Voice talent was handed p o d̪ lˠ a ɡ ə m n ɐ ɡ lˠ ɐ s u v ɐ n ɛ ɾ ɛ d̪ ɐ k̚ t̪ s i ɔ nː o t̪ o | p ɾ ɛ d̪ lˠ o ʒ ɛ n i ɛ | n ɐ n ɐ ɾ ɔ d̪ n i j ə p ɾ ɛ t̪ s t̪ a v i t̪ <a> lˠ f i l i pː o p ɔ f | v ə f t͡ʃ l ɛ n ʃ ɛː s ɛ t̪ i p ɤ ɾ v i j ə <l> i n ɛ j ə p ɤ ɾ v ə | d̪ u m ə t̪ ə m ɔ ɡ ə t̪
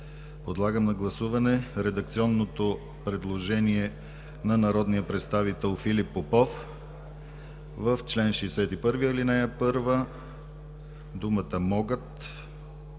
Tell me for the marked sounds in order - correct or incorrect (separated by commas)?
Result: incorrect, correct